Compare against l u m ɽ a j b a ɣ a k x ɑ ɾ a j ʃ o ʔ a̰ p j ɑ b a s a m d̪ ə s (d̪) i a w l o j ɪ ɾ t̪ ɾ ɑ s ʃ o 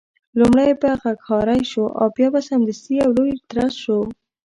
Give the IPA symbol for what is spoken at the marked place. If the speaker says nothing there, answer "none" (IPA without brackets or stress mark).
t̪